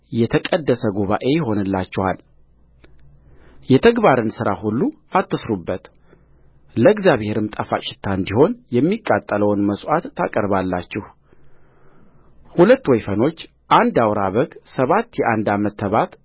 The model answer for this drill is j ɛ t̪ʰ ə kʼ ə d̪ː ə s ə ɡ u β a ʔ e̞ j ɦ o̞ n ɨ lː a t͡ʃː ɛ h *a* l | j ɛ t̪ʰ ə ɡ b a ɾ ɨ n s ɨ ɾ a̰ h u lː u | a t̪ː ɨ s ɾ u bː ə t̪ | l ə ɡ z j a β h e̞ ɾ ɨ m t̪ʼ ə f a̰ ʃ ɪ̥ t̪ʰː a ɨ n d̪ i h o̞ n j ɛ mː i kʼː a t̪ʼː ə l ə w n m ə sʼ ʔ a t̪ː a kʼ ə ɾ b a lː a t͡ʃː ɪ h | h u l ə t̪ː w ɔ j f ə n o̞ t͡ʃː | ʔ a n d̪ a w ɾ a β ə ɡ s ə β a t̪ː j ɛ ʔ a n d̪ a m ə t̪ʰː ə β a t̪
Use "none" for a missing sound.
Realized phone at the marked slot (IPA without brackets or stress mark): a